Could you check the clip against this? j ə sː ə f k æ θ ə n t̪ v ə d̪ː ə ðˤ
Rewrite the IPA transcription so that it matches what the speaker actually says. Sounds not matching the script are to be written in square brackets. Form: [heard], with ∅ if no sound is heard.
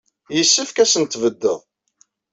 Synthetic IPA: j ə sː ə f k æ [s] ə n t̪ v ə d̪ː ə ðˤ